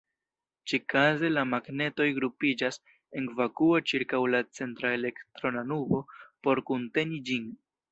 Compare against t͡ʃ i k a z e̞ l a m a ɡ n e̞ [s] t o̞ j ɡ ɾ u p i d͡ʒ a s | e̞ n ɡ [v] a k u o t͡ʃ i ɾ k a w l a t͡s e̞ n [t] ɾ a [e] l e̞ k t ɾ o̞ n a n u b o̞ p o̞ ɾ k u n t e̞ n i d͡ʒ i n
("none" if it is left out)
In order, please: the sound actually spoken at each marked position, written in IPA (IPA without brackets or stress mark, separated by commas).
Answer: none, v, t, e